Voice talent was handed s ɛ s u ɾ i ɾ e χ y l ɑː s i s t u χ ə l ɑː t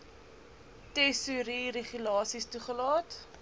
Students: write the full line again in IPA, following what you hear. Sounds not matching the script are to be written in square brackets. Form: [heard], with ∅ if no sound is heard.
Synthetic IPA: [t] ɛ s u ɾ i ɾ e χ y l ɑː s i s t u χ ə l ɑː t